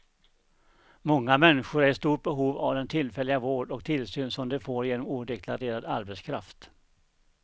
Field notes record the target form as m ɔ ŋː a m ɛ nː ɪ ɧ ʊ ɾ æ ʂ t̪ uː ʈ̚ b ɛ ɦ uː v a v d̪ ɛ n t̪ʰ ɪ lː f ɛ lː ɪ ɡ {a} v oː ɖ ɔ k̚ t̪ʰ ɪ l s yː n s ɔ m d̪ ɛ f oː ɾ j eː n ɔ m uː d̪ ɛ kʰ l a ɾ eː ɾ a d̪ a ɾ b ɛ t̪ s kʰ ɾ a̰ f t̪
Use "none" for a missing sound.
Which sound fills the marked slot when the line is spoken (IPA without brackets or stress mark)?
a